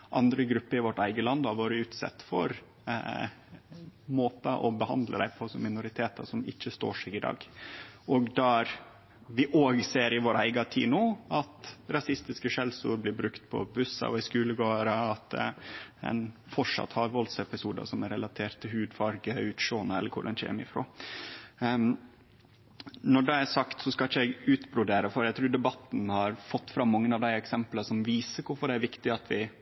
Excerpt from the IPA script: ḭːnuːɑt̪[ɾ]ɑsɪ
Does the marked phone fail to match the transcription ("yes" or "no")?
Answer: no